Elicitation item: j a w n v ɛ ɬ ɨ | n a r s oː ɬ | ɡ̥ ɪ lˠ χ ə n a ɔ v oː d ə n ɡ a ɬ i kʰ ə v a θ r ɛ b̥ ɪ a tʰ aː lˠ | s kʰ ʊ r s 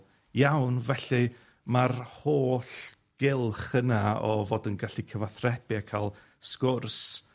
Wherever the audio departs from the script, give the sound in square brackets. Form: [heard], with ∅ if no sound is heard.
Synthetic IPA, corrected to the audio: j a w n v ɛ ɬ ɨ | [m] a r [h] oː ɬ | ɡ̥ ɪ lˠ χ ə n a ɔ v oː d ə n ɡ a ɬ i kʰ ə v a θ r ɛ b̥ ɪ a [kʰ] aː lˠ | s [k] ʊ r s

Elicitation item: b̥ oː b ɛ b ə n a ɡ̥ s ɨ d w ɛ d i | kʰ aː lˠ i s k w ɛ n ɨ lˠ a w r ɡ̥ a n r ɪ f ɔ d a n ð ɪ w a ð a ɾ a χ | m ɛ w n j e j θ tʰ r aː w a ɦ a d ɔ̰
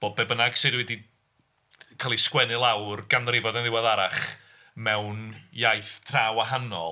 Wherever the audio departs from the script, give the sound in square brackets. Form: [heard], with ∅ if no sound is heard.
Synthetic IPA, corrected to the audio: b̥ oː b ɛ b ə n a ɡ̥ s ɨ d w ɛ d i | kʰ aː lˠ i s k w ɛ n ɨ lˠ a w r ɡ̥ a n r ɪ [v] ɔ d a n ð ɪ w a ð a ɾ a χ | m ɛ w n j [a] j θ tʰ r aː w a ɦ a [n] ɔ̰

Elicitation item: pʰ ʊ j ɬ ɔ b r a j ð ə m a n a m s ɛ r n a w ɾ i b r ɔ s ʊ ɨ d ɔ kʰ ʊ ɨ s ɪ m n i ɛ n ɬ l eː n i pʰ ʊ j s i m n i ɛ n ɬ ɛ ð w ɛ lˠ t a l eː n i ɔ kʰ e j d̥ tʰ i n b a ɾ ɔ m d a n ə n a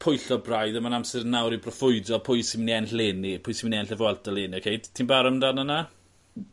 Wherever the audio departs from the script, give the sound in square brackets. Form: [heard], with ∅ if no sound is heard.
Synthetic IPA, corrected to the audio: pʰ ʊ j ɬ ɔ b r a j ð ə m a n a m s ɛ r n a w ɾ i b r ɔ [f] ʊ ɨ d ɔ [pʰ] ʊ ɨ s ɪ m n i ɛ n ɬ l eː n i pʰ ʊ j s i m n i ɛ n ɬ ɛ [v] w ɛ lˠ t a l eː n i ɔ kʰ e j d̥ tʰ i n b a ɾ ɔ m d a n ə n a

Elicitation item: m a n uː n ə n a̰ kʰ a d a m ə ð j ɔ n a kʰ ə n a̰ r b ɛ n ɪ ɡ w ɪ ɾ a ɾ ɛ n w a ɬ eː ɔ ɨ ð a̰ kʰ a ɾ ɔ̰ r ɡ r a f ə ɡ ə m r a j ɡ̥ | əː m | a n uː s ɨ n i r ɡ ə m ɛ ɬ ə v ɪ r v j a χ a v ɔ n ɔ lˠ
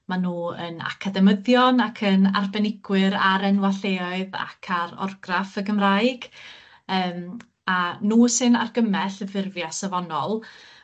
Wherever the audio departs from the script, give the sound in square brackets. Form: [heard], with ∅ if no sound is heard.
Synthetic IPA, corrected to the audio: m a n uː [∅] ə n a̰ kʰ a d [ɛ] m ə ð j ɔ n a kʰ ə n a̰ r b ɛ n ɪ ɡ w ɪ ɾ a ɾ ɛ n w a ɬ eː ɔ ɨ ð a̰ kʰ a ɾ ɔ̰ r ɡ r a f ə ɡ ə m r a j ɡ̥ | əː m | a n uː s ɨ n [a] r ɡ ə m ɛ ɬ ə v ɪ r v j a [s] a v ɔ n ɔ lˠ

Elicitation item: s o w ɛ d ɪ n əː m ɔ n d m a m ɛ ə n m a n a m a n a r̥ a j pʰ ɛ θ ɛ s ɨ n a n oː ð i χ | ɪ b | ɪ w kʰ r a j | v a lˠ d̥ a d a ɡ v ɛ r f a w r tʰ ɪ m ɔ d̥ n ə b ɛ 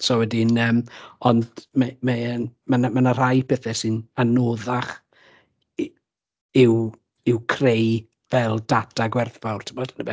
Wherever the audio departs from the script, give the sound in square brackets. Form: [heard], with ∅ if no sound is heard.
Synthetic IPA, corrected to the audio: s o w ɛ d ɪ n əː m ɔ n d m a m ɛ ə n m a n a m a n a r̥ a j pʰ ɛ θ ɛ s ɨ n a n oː ð [a] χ | ɪ [w] | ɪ w kʰ r [e] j | v [ɛ] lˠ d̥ a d a ɡ [w] ɛ r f a w r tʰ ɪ m ɔ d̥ n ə b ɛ

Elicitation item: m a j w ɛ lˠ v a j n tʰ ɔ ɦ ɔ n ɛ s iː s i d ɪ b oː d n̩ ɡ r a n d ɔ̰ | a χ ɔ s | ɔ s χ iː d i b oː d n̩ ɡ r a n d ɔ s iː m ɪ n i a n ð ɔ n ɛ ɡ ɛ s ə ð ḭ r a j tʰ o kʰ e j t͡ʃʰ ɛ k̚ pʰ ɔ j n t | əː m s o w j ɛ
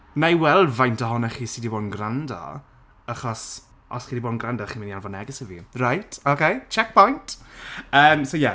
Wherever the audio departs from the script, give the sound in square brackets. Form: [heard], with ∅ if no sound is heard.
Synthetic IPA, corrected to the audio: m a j w ɛ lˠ v a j n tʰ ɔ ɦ ɔ n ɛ [χ] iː s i d [i] b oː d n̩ ɡ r a n d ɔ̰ | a χ ɔ s | ɔ s χ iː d i b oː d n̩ ɡ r a n d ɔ [χ] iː m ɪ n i a n [v] ɔ n ɛ ɡ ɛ s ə [v] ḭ r a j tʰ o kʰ e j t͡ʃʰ ɛ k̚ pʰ ɔ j n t | əː m s o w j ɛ

